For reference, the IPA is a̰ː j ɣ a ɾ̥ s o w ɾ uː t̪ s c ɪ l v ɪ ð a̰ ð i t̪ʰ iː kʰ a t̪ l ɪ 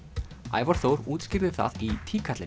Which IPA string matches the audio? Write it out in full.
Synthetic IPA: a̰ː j v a ɾ̥ θ o w ɾ uː t̪ s c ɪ ɾ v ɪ θ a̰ ð i t̪ʰ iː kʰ a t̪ l ɪ

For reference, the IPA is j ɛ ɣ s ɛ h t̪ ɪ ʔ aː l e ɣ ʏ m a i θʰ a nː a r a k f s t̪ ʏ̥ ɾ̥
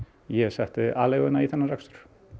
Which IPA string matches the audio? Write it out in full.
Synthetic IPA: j ɛ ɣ s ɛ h t̪ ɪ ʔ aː l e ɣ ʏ n a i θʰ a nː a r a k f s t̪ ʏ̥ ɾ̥

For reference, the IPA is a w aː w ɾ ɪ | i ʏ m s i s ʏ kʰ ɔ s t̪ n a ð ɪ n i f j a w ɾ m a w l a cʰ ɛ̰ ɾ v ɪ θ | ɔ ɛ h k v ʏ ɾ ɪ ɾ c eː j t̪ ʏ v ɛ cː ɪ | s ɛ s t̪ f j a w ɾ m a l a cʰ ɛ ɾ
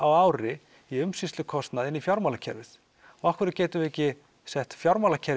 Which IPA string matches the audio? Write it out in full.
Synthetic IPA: a w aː w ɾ ɪ | i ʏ m s i s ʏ kʰ ɔ s t̪ n a ð ɪ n i f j a w ɾ m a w l a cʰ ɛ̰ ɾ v ɪ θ | ɔ a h k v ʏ ɾ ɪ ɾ c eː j t̪ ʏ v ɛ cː ɪ | s ɛ h t̪ f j a w ɾ m a l a cʰ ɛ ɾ

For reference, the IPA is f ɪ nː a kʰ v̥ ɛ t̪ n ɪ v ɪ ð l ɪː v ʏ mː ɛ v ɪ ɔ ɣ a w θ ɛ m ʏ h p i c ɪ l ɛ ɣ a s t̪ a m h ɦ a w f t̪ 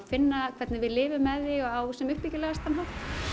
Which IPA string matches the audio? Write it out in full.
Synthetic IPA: f ɪ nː a kʰ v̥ ɛ t̪ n ɪ v ɪ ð l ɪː v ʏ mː ɛ ð ɪ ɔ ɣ a w s ɛ m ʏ h p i c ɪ l ɛ ɣ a s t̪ a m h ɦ a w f t̪

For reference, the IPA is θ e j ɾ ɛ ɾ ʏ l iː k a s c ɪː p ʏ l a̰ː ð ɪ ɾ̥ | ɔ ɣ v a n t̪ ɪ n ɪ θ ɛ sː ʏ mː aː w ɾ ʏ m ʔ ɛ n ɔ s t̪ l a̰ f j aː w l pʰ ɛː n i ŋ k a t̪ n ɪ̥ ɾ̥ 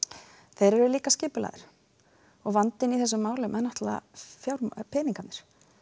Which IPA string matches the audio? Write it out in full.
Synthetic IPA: θ e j ɾ ɛ ɾ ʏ l iː k a s c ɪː p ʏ l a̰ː ð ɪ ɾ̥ | ɔ ɣ v a n t̪ ɪ n i θ ɛ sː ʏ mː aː w l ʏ m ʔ ɛ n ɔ h t̪ l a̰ f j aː w ɾ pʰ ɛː n i ŋ k a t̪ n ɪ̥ ɾ̥

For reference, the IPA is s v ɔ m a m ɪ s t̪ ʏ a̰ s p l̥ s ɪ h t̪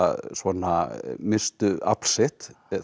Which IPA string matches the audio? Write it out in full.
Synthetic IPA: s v ɔ n a m ɪ s t̪ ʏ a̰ p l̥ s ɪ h t̪

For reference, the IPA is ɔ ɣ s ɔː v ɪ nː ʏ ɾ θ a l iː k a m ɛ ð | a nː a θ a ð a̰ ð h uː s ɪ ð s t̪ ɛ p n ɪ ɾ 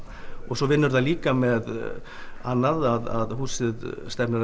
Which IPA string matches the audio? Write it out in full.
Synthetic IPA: ɔ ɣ s ɔ v ɪ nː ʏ ɾ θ a l iː k a m ɛ ð | a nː a ð a ð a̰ ð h uː s ɪ ð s t̪ ɛ p n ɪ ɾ

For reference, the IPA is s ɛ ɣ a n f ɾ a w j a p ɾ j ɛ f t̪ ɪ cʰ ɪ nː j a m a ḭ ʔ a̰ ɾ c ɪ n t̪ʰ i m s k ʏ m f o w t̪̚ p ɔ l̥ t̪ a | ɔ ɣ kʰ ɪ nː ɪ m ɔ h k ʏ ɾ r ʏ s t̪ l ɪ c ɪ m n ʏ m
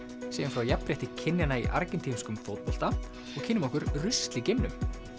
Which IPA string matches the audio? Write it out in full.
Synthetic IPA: s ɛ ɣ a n f ɾ a w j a p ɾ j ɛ h t̪ ɪ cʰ ɪ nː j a n a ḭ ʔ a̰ ɾ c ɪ n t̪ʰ i m s k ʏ m f o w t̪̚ p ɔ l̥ t̪ a | ɔ ɣ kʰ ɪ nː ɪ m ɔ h k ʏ ɾ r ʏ s t̪ l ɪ c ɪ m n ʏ m

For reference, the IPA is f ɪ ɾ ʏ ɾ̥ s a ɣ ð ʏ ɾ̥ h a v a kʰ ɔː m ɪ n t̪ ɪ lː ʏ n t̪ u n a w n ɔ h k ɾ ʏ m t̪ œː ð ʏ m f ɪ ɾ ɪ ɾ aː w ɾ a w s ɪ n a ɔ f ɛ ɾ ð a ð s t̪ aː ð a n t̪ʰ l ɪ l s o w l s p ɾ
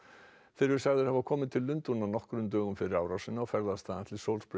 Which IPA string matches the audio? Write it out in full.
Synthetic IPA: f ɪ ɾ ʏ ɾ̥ s a ɣ ð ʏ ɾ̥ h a v a kʰ ɔː m ɪ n t̪ʰ ɪ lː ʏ n t̪ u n a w n ɔ h k ɾ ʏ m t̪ œː ɣ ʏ m f ɪ ɾ ɪ ɾ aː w ɾ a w s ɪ n a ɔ f ɛ ɾ ð a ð s t̪ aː ð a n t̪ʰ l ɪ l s o w l s p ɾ

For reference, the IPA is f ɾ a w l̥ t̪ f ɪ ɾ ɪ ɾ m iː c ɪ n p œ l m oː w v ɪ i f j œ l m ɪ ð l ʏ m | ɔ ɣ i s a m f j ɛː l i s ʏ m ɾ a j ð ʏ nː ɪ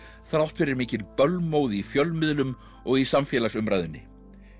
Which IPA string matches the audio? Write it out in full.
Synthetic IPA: θ ɾ a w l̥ t̪ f ɪ ɾ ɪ ɾ m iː c ɪ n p œ l m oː w ð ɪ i f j œ l m ɪ ð l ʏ m | ɔ ɣ i s a m f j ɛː l a s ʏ m ɾ a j ð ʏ nː ɪ

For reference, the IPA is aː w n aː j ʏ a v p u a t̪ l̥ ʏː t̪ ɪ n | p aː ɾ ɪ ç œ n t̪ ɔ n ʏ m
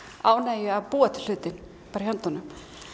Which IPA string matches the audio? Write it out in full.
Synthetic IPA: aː w n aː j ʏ a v p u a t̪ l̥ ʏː t̪ ɪ n | p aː ɾ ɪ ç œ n t̪ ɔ n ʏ m

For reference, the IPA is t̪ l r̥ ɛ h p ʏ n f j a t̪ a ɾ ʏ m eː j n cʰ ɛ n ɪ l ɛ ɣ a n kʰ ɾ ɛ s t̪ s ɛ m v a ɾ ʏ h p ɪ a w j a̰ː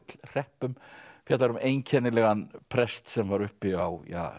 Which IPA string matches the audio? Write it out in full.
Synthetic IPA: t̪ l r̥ ɛ h p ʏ m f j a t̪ a ɾ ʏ m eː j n cʰ ɛ n ɪ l ɛ ɣ a n pʰ ɾ ɛ s t̪ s ɛ m v a ɾ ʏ h p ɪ a w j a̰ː

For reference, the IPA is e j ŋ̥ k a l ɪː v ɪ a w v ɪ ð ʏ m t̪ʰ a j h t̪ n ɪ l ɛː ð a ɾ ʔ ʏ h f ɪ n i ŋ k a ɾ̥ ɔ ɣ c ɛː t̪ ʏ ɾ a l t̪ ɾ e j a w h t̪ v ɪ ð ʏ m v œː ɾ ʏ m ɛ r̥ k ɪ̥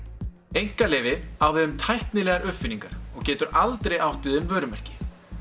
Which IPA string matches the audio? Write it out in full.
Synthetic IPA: e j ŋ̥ k a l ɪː v ɪ a w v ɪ ð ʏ m t̪ʰ a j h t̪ n ɪ l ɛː ɣ a ɾ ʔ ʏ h f ɪ n i ŋ k a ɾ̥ ɔ ɣ c ɛː t̪ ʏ ɾ a l t̪ ɾ e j a w h t̪ v ɪ ð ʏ m v œː ɾ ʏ m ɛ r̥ c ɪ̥

